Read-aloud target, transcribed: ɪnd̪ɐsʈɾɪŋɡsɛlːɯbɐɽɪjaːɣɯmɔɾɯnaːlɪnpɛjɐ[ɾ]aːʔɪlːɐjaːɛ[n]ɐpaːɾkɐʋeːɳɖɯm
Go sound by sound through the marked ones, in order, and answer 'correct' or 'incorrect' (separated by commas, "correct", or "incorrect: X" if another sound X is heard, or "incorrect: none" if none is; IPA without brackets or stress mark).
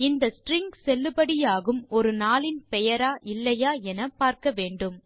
correct, correct